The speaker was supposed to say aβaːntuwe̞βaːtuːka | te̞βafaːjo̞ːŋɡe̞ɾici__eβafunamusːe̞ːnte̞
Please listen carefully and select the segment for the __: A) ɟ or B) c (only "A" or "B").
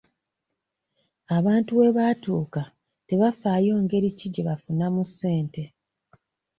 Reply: A